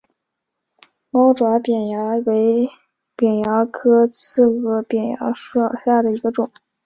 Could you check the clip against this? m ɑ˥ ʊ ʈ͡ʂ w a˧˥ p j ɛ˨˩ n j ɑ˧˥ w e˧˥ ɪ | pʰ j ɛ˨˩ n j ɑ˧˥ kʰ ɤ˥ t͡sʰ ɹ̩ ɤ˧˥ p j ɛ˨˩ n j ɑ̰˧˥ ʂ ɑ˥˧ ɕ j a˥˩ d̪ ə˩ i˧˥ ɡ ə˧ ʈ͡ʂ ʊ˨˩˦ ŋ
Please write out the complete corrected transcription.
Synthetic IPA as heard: m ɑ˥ ʊ ʈ͡ʂ w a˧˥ p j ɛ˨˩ n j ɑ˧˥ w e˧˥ ɪ | p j ɛ˨˩ n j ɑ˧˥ kʰ ɤ˥ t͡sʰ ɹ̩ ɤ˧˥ p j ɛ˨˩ n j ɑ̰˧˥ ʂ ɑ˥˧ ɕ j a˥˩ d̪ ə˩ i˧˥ ɡ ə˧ ʈ͡ʂ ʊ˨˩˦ ŋ